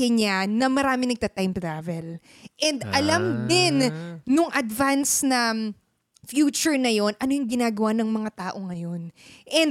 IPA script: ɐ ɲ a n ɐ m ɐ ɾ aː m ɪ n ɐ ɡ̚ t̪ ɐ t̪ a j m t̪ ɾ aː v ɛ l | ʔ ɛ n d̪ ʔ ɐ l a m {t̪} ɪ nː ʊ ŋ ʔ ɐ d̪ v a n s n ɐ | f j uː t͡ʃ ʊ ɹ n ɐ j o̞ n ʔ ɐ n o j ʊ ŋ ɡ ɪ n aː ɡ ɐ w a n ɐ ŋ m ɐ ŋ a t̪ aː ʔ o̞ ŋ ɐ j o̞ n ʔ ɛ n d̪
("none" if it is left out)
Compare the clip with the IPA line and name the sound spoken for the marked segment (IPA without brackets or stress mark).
d̪